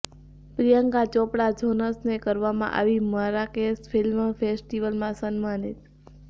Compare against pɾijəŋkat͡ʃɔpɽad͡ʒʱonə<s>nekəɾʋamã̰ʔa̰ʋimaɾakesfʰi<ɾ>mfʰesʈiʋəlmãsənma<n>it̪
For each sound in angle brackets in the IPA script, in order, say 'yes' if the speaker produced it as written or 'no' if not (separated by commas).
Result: yes, no, yes